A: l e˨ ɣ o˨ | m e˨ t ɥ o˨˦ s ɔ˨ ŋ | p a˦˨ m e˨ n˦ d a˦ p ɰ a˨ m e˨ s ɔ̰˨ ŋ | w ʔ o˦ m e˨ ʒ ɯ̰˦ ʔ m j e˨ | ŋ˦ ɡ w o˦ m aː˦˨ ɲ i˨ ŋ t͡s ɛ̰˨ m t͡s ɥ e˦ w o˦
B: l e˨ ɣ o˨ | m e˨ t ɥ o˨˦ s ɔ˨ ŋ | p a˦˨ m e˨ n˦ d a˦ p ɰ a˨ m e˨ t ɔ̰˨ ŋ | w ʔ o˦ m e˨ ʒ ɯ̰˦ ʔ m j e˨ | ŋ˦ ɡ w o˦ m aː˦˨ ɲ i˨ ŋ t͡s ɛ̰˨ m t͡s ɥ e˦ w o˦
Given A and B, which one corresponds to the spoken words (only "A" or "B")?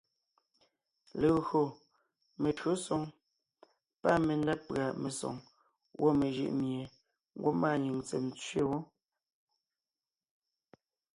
A